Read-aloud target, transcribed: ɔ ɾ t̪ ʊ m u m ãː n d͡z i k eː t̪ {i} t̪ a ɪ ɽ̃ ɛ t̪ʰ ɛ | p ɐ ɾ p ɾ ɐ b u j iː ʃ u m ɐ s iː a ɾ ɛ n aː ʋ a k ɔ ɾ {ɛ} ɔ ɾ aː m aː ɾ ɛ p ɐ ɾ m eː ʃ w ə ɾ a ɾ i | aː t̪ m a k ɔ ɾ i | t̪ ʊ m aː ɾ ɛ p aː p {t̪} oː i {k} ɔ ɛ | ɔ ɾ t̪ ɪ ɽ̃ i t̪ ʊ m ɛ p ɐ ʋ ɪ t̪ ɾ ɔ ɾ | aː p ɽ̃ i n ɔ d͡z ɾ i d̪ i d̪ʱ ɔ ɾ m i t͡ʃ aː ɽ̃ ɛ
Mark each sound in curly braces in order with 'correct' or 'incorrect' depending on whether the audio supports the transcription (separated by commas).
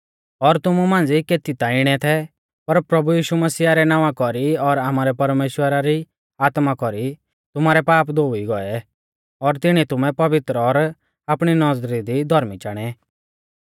correct, incorrect, incorrect, incorrect